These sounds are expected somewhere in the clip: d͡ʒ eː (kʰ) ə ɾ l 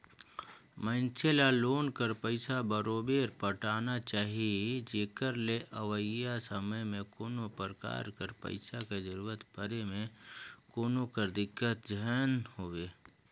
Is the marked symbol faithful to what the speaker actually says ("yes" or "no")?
no